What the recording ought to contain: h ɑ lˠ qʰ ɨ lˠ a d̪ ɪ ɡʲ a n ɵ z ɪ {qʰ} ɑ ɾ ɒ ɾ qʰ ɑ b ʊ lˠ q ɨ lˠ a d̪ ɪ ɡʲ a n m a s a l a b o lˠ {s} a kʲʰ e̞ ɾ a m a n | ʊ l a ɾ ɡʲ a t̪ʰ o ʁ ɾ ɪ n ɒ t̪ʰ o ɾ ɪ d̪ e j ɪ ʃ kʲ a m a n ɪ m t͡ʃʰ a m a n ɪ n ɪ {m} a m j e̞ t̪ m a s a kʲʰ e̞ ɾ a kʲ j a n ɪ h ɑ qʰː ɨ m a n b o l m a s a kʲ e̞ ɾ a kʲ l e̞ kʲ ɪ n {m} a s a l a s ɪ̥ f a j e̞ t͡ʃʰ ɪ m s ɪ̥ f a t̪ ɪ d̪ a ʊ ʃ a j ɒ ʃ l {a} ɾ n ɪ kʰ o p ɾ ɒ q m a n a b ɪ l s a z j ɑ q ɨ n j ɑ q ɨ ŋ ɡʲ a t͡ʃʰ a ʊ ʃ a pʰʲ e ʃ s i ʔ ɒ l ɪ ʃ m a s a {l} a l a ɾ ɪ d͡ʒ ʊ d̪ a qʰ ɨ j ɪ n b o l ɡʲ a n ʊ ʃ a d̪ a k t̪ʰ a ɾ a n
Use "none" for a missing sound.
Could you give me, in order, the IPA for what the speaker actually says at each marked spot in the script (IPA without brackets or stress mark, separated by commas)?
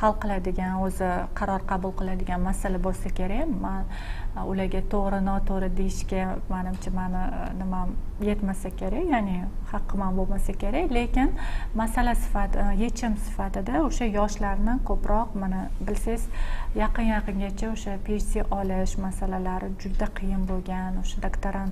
qʰ, s, m, m, a, l